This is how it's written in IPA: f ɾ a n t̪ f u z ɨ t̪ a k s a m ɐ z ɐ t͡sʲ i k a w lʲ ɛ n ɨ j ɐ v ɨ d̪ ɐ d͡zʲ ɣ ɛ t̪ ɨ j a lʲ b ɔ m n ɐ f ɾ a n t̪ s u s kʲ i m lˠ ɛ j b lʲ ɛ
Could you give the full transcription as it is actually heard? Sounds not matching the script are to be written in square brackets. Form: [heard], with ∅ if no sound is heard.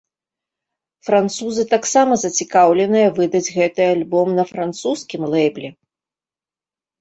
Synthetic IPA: f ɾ a n t̪ [s] u z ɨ t̪ a k s a m ɐ z ɐ t͡sʲ i k a w lʲ ɛ n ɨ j ɐ v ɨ d̪ ɐ d͡zʲ ɣ ɛ t̪ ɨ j a lʲ b ɔ m n ɐ f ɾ a n t̪ s u s kʲ i m lˠ ɛ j b lʲ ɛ